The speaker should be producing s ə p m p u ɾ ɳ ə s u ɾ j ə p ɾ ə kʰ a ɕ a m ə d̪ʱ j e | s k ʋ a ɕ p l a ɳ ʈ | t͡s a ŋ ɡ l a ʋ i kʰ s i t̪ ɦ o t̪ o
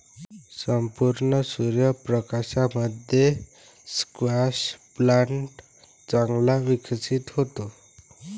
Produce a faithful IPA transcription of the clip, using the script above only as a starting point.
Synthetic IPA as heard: s ə m p u ɾ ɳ ə s u ɾ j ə p ɾ ə k a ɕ a m ə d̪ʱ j e | s k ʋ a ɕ p l a ɳ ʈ | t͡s a ŋ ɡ l a ʋ i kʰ s i t̪ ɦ o t̪ o